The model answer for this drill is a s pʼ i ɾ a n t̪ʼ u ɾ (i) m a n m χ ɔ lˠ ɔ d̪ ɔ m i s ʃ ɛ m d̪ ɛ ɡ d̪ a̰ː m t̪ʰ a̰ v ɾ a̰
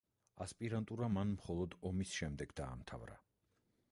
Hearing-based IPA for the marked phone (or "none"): a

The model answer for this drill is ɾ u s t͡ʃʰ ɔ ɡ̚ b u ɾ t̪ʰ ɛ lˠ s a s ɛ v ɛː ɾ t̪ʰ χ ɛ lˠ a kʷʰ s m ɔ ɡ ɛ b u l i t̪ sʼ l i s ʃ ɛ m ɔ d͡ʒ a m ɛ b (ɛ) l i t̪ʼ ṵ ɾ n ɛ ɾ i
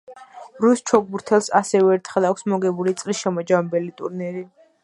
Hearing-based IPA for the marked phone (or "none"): ɛ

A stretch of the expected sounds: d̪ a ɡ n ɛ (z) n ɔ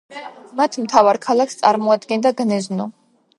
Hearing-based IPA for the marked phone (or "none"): z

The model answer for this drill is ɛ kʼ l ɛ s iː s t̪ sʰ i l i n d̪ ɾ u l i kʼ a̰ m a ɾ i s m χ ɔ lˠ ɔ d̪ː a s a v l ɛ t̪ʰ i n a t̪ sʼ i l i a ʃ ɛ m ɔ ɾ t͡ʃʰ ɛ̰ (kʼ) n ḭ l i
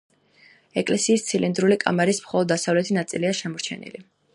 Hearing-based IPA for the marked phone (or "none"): none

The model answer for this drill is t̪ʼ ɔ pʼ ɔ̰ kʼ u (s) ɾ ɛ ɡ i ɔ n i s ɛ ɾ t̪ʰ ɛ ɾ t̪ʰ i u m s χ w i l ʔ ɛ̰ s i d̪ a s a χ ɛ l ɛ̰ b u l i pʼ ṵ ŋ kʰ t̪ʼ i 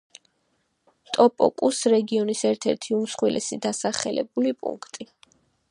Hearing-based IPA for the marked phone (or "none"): s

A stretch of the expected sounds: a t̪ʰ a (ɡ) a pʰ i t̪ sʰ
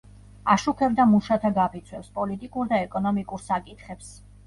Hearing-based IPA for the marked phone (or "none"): ɡ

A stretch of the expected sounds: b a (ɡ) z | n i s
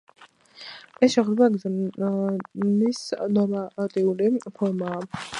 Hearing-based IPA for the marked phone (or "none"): ɡ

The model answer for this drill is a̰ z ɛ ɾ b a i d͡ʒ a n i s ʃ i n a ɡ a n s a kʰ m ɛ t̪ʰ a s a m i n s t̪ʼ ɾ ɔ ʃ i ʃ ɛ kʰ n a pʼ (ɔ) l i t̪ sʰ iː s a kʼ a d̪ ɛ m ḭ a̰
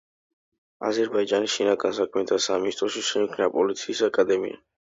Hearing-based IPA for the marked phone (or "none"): ɔ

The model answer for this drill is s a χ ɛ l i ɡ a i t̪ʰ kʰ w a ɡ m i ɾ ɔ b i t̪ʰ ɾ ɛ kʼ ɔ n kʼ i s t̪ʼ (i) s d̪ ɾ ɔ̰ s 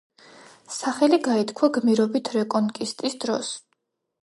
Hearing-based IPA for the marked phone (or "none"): i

